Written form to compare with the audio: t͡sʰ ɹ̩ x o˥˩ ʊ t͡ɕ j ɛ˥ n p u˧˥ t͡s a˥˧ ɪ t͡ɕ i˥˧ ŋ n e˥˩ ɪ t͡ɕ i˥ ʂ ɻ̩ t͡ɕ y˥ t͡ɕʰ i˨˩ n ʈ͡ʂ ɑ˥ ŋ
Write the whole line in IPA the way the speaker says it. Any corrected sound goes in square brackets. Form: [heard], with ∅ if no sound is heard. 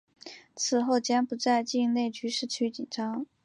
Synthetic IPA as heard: t͡sʰ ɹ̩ x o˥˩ ʊ t͡ɕ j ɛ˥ n p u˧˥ t͡s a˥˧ ɪ t͡ɕ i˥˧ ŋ n e˥˩ ɪ t͡ɕ [y˥] ʂ ɻ̩ [t͡ɕʰ] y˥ [t͡ɕ] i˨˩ n ʈ͡ʂ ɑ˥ ŋ